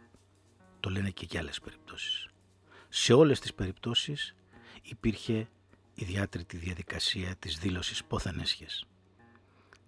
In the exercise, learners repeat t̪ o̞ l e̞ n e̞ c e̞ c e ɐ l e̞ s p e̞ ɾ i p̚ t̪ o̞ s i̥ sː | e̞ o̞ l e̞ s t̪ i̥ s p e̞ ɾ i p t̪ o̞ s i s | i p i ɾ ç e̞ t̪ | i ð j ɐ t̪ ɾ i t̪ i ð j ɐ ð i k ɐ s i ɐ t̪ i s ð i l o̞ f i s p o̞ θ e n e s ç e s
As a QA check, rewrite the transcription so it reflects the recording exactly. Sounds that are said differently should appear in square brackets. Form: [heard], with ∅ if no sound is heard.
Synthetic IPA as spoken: t̪ o̞ l e̞ n e̞ c e̞ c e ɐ l e̞ s p e̞ ɾ i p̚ t̪ o̞ s i̥ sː | e̞ o̞ l e̞ s t̪ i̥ s p e̞ ɾ i p t̪ o̞ s i s | i p i ɾ ç e̞ [∅] | i ð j ɐ t̪ ɾ i t̪ i ð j ɐ ð i k ɐ s i ɐ t̪ i [z] ð i l o̞ [s] i s p o̞ θ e n e s ç e s